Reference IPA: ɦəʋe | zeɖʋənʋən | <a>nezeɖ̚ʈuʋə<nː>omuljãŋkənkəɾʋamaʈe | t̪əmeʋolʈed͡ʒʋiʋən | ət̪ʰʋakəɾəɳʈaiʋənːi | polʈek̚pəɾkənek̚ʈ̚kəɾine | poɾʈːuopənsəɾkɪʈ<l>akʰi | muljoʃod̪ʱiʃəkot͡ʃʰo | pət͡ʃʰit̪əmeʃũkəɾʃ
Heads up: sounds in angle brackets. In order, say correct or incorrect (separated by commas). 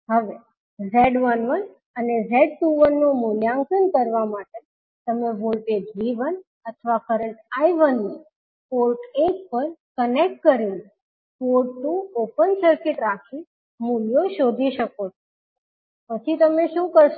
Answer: incorrect, correct, incorrect